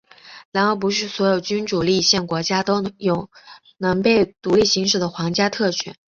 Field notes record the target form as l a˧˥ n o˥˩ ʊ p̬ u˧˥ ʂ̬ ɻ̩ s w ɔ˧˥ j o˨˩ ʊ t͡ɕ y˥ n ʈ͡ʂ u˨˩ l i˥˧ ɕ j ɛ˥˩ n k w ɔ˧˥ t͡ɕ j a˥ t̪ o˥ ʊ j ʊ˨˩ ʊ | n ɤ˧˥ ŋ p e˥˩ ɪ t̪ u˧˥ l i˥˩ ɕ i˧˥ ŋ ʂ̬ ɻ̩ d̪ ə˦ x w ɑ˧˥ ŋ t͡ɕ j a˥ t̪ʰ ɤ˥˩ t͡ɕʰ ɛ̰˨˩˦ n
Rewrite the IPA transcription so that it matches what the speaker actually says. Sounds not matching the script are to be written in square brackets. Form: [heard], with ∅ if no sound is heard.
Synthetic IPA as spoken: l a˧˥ n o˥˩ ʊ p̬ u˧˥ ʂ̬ ɻ̩ s w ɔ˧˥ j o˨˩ ʊ t͡ɕ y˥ n ʈ͡ʂ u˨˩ l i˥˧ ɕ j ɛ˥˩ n k w ɔ˧˥ t͡ɕ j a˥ t̪ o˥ ʊ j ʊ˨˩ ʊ | n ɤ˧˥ ŋ p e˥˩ ɪ t̪ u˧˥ l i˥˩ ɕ i˧˥ ŋ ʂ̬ ɻ̩ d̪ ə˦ x w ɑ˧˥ ŋ t͡ɕ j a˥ t̪ʰ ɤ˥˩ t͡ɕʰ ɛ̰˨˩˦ n

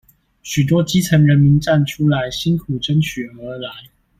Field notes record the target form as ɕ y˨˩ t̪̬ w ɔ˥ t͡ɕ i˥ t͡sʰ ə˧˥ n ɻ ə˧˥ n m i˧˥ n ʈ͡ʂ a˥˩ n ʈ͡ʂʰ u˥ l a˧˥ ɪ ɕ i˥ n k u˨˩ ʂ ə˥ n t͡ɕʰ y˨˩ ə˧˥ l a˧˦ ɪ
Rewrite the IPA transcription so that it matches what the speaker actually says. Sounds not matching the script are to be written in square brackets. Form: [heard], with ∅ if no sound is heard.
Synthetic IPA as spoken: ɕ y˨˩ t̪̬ w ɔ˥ t͡ɕ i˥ t͡sʰ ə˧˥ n ɻ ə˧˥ n m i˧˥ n ʈ͡ʂ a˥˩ n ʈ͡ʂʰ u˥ l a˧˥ ɪ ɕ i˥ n [kʰ] u˨˩ [ʈ͡ʂ] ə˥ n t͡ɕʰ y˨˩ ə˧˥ l a˧˦ ɪ

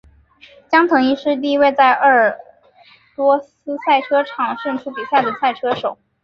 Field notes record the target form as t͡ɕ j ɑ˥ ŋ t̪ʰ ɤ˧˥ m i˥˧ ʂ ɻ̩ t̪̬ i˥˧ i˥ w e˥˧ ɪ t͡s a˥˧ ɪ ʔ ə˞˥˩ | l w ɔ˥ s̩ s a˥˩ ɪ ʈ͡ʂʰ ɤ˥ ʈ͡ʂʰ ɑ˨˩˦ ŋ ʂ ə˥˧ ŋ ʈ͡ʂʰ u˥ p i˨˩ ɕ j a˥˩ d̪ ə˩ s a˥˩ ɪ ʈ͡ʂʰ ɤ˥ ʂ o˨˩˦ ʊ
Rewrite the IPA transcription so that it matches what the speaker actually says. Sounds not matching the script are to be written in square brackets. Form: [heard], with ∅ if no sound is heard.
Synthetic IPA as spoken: t͡ɕ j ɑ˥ ŋ t̪ʰ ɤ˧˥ [ŋ] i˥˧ ʂ ɻ̩ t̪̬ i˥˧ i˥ w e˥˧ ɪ t͡s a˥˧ ɪ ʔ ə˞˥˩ | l w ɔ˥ s̩ s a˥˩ ɪ ʈ͡ʂʰ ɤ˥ ʈ͡ʂʰ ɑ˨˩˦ ŋ ʂ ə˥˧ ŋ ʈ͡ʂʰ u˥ p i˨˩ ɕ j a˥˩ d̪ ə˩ s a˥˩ ɪ ʈ͡ʂʰ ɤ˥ ʂ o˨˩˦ ʊ

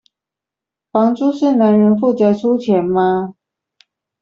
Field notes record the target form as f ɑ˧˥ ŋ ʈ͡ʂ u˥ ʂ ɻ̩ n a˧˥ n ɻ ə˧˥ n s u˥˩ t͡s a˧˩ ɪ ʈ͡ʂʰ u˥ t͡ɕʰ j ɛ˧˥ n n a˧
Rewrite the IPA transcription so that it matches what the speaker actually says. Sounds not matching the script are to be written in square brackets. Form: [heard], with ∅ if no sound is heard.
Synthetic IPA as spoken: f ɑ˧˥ ŋ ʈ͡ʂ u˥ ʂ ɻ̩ n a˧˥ n ɻ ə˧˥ n [f] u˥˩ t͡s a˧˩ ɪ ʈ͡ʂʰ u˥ t͡ɕʰ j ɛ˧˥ n [m] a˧

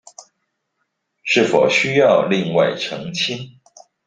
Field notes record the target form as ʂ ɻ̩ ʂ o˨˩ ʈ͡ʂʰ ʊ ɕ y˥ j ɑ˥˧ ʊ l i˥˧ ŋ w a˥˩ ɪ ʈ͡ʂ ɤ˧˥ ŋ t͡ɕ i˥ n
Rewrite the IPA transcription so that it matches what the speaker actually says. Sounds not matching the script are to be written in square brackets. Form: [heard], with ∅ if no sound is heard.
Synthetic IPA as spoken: ʂ ɻ̩ [f] o˨˩ [∅] ʊ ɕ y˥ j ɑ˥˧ ʊ l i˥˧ ŋ w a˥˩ ɪ [ʈ͡ʂʰ] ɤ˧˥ ŋ [t͡ɕʰ] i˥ n

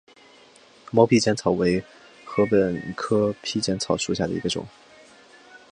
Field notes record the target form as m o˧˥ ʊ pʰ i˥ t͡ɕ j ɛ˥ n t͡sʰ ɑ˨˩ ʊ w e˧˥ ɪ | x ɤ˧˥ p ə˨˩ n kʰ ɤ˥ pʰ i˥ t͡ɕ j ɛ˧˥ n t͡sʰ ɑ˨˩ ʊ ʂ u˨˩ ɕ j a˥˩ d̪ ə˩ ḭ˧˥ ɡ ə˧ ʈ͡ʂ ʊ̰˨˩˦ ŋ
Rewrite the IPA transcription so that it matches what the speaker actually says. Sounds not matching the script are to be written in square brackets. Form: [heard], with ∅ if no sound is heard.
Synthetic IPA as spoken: m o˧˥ ʊ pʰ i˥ t͡ɕ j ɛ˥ n t͡sʰ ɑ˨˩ ʊ w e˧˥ ɪ | x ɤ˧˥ p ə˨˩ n kʰ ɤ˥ pʰ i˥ t͡ɕ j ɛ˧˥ n t͡sʰ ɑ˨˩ ʊ ʂ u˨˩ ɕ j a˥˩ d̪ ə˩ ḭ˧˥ ɡ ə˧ ʈ͡ʂ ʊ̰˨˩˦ ŋ

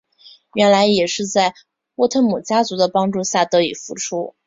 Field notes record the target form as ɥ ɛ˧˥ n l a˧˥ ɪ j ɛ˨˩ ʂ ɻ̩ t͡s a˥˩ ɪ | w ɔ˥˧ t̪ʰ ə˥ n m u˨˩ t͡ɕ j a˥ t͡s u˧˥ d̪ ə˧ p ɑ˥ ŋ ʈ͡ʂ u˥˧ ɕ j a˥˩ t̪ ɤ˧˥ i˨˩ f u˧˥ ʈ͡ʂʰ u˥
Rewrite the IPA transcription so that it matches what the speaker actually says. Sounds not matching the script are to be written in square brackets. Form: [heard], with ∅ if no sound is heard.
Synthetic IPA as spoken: ɥ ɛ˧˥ n l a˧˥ ɪ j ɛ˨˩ ʂ ɻ̩ t͡s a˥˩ ɪ | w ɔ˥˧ t̪ʰ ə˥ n m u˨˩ t͡ɕ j a˥ t͡s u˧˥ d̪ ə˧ p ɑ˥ ŋ ʈ͡ʂ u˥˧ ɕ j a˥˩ t̪ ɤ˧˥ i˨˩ f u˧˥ ʈ͡ʂʰ u˥

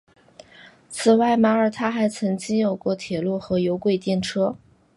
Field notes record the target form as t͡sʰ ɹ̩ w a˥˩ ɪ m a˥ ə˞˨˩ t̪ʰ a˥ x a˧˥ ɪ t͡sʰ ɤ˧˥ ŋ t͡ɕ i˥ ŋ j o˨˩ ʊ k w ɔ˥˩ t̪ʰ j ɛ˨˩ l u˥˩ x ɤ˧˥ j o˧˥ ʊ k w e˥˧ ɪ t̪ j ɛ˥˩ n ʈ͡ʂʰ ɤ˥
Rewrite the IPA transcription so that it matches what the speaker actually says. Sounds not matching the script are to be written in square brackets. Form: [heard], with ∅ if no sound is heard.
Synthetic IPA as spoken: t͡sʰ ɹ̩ w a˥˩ ɪ m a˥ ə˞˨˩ t̪ʰ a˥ x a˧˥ ɪ t͡sʰ ɤ˧˥ ŋ t͡ɕ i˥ ŋ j o˨˩ ʊ k w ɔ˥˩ t̪ʰ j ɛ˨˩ l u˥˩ x ɤ˧˥ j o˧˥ ʊ k w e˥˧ ɪ t̪ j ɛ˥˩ n ʈ͡ʂʰ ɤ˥

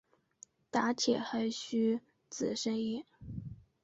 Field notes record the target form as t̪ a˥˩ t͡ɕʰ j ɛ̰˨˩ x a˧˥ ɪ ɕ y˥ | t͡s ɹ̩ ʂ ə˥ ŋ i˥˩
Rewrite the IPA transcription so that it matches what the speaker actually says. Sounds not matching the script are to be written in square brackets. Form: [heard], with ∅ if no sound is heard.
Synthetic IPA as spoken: t̪ [a˧˥] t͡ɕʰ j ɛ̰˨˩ x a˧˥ ɪ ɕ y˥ | t͡s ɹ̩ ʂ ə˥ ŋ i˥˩

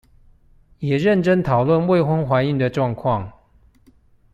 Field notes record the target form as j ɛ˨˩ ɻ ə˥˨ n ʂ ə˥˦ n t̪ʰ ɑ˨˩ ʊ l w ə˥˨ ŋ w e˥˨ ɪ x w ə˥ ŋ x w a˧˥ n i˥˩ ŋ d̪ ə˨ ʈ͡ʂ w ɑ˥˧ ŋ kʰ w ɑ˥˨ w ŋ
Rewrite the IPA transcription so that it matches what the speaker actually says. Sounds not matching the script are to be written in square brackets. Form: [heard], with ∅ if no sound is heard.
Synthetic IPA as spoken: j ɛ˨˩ ɻ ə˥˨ n [ʈ͡ʂ] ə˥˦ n t̪ʰ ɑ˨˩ ʊ l w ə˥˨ [n] w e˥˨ ɪ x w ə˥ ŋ x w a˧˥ n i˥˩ ŋ d̪ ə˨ ʈ͡ʂ w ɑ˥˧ ŋ kʰ w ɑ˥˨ [∅] ŋ

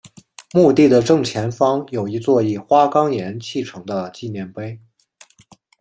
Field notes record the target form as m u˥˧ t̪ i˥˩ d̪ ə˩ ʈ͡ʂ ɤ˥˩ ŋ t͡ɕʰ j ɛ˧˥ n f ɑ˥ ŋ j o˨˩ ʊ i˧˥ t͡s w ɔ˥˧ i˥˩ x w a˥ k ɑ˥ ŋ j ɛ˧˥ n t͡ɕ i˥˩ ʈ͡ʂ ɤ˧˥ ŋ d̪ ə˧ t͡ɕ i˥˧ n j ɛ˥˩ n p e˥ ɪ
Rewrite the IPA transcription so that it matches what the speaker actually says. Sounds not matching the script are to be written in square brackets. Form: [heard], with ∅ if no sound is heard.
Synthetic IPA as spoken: m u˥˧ t̪ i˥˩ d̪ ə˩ ʈ͡ʂ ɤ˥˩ ŋ t͡ɕʰ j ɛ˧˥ n f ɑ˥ ŋ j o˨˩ ʊ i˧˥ t͡s w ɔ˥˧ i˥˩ x w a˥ k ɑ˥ ŋ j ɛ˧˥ n [t͡ɕʰ] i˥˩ [ʈ͡ʂʰ] ɤ˧˥ ŋ d̪ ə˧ t͡ɕ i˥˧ n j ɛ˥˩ n p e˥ ɪ

